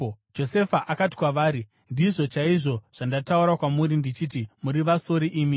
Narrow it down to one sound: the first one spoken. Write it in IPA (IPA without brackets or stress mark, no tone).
d͡ʒ